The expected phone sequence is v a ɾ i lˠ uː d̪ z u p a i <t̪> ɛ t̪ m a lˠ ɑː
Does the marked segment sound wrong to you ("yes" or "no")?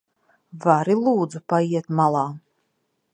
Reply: yes